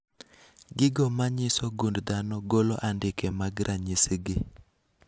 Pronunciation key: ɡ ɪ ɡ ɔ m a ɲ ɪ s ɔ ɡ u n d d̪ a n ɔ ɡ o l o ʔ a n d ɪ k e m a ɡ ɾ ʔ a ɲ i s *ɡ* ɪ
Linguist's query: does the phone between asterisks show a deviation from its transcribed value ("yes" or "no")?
no